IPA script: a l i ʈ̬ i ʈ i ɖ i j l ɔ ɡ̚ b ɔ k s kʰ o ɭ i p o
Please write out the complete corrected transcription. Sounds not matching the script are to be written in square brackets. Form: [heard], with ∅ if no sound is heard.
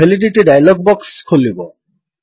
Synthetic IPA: [e] l i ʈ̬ i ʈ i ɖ [a] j l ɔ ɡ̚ b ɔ k s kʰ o [l] i [b] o

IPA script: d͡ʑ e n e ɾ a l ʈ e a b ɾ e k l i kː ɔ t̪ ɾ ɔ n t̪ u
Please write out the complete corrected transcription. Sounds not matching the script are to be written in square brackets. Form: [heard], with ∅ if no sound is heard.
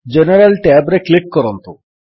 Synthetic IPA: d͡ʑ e n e ɾ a l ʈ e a b ɾ e k l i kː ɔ [∅] ɾ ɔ n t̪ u

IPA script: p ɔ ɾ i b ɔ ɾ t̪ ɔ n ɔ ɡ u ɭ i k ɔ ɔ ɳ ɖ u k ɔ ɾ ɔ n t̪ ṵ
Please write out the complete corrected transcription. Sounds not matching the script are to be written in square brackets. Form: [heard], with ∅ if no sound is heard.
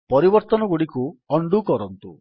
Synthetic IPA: p ɔ ɾ i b ɔ ɾ t̪ ɔ n ɔ ɡ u [ɽ] i k [u] ɔ ɳ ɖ u k ɔ ɾ ɔ n t̪ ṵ

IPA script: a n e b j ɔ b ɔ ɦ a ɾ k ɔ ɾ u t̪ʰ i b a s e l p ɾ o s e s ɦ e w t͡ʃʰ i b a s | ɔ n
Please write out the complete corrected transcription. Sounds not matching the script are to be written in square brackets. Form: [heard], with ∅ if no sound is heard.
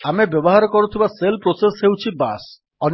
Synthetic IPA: a [m] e b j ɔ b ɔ ɦ a ɾ k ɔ ɾ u t̪ʰ i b a s e l p ɾ o s e s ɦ e w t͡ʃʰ i b a s | ɔ n

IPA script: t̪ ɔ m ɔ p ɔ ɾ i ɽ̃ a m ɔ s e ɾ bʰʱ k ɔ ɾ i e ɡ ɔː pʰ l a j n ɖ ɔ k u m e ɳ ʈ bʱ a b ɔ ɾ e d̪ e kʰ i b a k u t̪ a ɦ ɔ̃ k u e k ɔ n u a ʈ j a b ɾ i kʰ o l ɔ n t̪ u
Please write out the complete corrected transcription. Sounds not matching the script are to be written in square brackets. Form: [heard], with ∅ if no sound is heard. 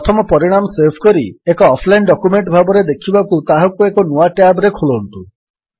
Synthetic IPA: [t̪ʰ] ɔ m ɔ p ɔ ɾ i ɽ̃ a m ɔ s e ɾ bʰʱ k ɔ ɾ i e [k] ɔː pʰ l a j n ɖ ɔ k u m e ɳ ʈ bʱ a b ɔ ɾ e d̪ e kʰ i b a k u t̪ a ɦ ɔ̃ k u e k ɔ n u a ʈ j a b ɾ [e] kʰ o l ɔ n t̪ u

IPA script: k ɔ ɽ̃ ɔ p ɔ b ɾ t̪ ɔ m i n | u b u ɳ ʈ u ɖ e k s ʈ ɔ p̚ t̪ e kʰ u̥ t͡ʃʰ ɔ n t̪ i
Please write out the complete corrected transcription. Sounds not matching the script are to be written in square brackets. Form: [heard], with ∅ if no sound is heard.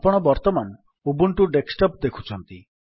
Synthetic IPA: [p] ɔ ɽ̃ ɔ [b] ɔ [∅] ɾ t̪ ɔ m [a] n | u b u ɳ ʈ u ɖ e k s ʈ ɔ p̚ [d̪] e kʰ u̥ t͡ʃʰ ɔ n t̪ i

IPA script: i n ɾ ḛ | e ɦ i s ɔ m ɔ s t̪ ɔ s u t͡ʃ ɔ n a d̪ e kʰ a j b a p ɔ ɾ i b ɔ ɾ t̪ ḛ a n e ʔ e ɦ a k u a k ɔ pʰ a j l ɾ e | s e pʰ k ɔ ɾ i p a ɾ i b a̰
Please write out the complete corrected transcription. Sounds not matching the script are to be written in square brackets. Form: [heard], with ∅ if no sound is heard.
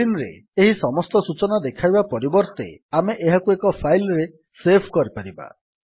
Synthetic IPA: i n ɾ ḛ | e ɦ i s ɔ m ɔ s t̪ ɔ s u t͡ʃ ɔ n a d̪ e kʰ a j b a p ɔ ɾ i b ɔ ɾ t̪ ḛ a [m] e ʔ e ɦ a k u [e] k ɔ pʰ a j l ɾ e | s e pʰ k ɔ ɾ i p a ɾ i b a̰

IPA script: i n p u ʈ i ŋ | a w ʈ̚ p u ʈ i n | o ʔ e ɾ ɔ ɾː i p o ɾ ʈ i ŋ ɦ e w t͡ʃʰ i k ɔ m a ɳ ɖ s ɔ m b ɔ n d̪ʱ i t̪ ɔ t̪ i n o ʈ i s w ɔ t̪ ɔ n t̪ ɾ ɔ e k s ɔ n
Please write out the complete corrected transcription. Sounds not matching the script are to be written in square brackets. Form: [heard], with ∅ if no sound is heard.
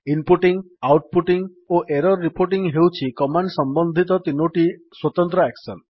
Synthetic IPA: i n p u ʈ i ŋ | a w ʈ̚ p u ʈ i [ŋ] | o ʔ e ɾ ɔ ɾː i p o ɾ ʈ i ŋ ɦ e w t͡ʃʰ i k ɔ m a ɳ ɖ s ɔ m b ɔ n d̪ʱ i t̪ ɔ t̪ i n o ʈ i s w ɔ t̪ ɔ n t̪ ɾ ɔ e k s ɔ n

